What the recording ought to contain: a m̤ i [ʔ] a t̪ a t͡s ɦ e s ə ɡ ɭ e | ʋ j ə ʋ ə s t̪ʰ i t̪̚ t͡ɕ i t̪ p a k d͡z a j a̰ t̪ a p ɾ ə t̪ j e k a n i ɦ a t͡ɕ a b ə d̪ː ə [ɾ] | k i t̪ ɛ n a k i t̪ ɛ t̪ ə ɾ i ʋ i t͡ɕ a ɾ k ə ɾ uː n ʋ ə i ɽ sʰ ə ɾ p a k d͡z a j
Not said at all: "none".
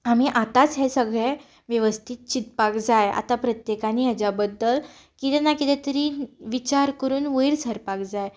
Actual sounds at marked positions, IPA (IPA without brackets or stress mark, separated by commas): ʔ, l